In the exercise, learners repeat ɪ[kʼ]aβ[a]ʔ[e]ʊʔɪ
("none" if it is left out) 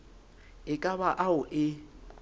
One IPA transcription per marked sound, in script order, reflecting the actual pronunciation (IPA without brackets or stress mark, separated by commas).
kʼ, a, a